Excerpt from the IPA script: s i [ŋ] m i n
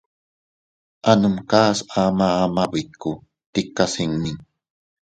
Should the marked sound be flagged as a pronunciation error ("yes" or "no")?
no